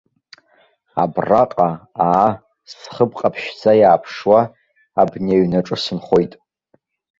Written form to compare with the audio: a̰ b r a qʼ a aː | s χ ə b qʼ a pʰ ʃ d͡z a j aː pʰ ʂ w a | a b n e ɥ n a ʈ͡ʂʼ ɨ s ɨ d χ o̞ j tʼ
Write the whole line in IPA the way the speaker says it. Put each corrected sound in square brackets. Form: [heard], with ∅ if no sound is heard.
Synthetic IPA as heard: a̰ b r a qʼ a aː | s χ ə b qʼ a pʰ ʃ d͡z a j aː pʰ ʂ w a | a b n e ɥ n a ʈ͡ʂʼ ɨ s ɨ [n] χ o̞ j tʼ